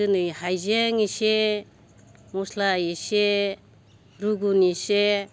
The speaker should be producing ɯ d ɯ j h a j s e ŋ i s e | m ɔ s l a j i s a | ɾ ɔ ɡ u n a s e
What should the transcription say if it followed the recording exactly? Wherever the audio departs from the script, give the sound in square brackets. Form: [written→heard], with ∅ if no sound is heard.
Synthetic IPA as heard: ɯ [d→n] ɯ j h a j [s→z] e ŋ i s e | m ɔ s l a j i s [a→e] | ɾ [ɔ→u] ɡ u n [a→i] s e